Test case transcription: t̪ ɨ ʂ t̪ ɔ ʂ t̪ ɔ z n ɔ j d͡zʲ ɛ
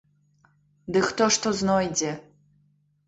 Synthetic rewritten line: d̪ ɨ x t̪ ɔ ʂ t̪ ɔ z n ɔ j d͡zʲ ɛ